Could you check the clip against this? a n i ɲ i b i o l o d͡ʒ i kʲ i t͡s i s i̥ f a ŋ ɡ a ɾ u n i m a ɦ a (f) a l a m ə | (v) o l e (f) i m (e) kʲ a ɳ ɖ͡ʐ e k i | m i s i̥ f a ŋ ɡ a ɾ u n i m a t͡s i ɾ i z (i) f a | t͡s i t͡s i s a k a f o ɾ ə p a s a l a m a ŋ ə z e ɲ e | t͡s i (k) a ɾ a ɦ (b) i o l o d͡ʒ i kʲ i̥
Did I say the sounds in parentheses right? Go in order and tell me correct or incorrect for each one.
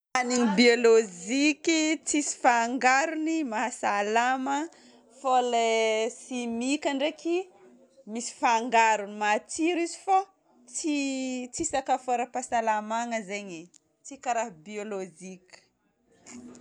incorrect: s, incorrect: f, incorrect: s, incorrect: i, correct, correct, correct

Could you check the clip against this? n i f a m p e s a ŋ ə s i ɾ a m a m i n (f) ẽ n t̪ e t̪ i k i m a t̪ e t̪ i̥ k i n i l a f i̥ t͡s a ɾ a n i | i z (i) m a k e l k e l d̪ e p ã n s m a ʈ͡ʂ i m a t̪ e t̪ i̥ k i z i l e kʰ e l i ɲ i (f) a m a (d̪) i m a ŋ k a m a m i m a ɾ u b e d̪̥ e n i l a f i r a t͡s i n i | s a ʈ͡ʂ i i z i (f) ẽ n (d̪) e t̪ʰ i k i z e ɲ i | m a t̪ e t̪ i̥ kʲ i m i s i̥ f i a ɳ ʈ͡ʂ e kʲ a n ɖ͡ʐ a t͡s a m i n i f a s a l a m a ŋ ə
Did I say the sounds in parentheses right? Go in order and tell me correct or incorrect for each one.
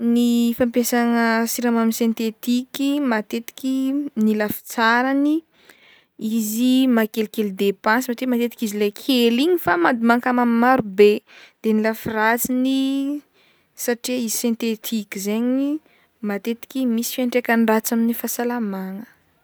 incorrect: s, correct, correct, correct, incorrect: s, incorrect: t̪

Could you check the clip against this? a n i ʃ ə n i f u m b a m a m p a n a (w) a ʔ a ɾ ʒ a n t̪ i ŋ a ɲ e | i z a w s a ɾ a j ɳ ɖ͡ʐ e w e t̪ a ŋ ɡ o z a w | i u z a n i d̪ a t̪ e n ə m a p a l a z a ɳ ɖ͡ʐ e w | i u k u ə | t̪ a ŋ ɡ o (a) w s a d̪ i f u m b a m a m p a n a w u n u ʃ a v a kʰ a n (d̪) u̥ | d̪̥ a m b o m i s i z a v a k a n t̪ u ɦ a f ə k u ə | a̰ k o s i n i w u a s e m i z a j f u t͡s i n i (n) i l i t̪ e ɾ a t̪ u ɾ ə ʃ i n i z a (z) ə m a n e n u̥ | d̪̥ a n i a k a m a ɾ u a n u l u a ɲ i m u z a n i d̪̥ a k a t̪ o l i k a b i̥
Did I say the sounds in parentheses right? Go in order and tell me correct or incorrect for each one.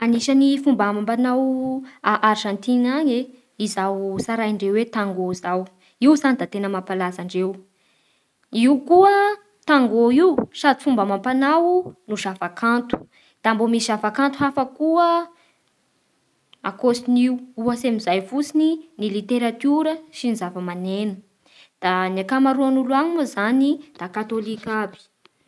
correct, incorrect: i, incorrect: t̪, correct, incorrect: v

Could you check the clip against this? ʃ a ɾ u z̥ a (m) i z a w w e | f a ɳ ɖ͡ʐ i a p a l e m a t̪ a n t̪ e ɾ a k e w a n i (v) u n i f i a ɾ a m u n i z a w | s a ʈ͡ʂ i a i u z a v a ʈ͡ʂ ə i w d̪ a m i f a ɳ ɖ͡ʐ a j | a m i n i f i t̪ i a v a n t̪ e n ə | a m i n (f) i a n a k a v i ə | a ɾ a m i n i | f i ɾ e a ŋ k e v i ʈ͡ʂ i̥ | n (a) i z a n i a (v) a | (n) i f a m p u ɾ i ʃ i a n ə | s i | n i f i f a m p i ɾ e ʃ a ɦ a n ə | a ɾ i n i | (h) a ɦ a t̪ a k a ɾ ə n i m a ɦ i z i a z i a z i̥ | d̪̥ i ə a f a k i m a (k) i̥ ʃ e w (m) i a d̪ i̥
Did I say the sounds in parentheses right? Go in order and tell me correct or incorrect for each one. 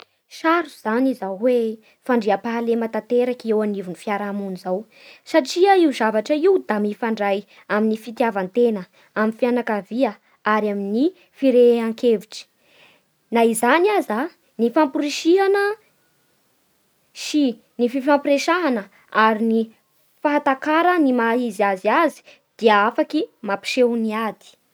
incorrect: n, correct, correct, correct, incorrect: z, correct, incorrect: f, incorrect: p, incorrect: n

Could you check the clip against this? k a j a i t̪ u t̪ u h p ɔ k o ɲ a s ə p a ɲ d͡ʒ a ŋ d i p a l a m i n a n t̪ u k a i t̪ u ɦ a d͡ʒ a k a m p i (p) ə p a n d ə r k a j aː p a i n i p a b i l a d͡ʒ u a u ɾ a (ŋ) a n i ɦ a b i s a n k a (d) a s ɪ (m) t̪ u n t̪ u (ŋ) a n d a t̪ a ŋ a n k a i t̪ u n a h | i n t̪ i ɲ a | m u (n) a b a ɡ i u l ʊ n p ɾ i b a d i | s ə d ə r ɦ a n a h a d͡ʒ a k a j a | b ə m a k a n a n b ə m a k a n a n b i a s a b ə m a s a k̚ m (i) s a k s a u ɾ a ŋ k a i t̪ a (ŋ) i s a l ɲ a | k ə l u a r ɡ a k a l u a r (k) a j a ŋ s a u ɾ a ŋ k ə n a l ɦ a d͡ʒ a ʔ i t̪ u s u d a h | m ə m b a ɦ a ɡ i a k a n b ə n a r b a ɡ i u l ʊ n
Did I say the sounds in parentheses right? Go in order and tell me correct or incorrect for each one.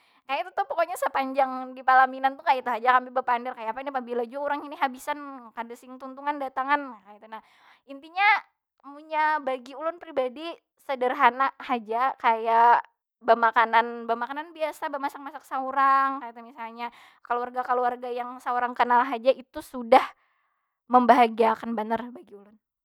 incorrect: b, correct, correct, incorrect: ŋ, correct, incorrect: ɲ, incorrect: a, incorrect: m, incorrect: ɡ

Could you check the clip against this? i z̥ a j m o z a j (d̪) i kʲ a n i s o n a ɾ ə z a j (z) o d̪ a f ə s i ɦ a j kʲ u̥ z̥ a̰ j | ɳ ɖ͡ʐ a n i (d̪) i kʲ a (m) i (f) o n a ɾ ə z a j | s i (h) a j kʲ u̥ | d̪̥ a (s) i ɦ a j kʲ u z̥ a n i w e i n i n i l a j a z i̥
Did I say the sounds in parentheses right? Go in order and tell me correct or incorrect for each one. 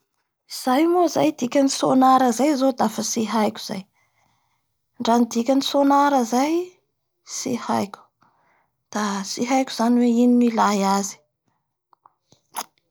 correct, correct, correct, incorrect: n, incorrect: s, correct, correct

